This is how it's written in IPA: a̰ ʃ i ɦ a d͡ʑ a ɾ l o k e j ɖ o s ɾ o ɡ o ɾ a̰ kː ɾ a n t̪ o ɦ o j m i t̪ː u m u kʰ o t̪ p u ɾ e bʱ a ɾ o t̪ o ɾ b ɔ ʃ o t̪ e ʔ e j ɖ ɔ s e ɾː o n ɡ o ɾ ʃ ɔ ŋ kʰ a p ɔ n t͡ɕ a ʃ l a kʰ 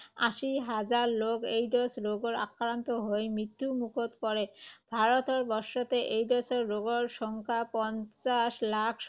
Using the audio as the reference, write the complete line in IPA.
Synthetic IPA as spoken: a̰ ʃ i ɦ a d͡ʑ a ɾ l o k e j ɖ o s ɾ o ɡ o ɾ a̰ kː ɾ a n t̪ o ɦ o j m i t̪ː u m u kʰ o t̪ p ɔ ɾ e bʱ a ɾ o t̪ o ɾ b ɔ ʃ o t̪ e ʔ e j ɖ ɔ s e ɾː o ɡ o ɾ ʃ ɔ ŋ kʰ a p ɔ n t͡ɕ a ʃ l a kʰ